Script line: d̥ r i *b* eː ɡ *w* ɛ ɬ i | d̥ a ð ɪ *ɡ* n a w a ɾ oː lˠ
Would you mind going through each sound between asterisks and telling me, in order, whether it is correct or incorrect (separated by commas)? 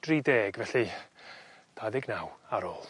incorrect, incorrect, correct